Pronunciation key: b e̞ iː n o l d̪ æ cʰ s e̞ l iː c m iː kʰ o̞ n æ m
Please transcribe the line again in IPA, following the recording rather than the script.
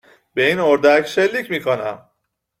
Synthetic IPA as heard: b e̞ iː n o ɾ d̪ æ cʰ ʃ e̞ lː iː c m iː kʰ o̞ n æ m